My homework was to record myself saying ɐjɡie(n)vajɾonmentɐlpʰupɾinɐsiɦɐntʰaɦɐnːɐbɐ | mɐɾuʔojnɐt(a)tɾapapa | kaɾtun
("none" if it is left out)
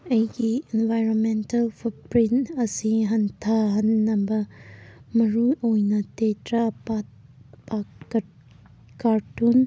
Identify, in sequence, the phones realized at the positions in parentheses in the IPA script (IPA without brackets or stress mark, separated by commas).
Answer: n, e